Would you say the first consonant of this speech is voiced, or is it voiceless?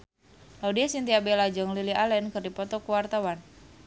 voiced